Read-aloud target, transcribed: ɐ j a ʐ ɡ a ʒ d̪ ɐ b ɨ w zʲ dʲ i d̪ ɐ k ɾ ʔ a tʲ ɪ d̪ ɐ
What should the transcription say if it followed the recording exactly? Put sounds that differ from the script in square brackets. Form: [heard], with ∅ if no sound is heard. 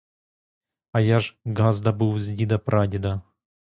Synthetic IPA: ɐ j a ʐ ɡ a [z] d̪ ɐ b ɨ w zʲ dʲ i d̪ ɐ [p] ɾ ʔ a [dʲ] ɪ d̪ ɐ